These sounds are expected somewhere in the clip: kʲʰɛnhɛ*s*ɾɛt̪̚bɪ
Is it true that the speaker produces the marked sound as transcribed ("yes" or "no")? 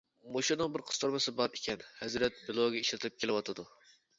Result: no